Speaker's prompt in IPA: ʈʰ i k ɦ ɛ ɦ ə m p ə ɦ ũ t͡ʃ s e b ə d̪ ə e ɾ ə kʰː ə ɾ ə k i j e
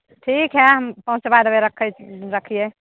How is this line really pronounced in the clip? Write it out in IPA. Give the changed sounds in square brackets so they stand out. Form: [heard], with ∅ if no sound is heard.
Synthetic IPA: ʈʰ i k ɦ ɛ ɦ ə m p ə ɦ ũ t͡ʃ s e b [a] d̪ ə e ɾ ə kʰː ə ɾ ə [kʰ] i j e

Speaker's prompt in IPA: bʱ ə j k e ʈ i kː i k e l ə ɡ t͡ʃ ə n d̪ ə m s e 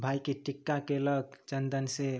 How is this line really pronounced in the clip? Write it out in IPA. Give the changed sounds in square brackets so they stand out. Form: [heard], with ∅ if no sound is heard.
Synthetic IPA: bʱ [a] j k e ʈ i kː [a] k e l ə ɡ t͡ʃ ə n d̪ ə [n] s e

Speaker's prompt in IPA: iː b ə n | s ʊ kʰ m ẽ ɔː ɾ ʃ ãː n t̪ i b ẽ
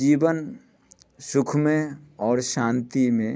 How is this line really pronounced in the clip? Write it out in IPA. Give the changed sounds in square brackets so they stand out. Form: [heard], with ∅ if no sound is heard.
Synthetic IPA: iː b ə n | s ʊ kʰ m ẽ ɔː ɾ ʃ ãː n t̪ i [m] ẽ

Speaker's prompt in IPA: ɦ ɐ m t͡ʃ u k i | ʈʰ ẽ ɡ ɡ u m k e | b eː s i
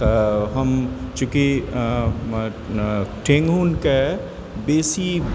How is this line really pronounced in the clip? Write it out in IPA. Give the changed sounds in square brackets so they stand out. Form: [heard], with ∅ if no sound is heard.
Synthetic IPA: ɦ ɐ m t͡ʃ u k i | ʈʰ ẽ [ŋ] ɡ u [n] k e | b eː s i

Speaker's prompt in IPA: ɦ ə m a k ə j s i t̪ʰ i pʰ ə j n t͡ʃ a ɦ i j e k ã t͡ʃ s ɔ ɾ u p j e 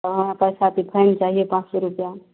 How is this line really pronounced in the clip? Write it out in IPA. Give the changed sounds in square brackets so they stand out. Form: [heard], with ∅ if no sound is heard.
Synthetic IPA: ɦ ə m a [p] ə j s [a] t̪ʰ i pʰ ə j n t͡ʃ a ɦ i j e [p] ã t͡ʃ s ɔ ɾ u p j [a]

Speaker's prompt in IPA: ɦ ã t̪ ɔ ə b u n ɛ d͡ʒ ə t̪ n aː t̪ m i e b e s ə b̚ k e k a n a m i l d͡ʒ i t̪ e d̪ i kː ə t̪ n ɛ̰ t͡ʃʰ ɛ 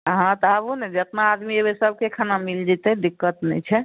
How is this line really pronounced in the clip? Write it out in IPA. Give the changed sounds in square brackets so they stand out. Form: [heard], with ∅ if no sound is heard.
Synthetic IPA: ɦ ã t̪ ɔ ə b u n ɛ d͡ʒ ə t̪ n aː [d̪] m i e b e s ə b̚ k e [kʰ] a n a m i l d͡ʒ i t̪ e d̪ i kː ə t̪ n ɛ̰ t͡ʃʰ ɛ

